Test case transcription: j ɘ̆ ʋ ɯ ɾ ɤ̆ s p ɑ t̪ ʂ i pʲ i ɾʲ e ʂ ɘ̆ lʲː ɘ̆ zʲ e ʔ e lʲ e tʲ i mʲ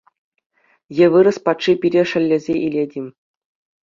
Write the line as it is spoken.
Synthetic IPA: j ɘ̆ ʋ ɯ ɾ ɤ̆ s p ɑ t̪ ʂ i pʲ i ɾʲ e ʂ ɘ̆ lʲː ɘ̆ zʲ e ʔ i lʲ e dʲ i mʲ